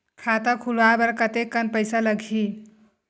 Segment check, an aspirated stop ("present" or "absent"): present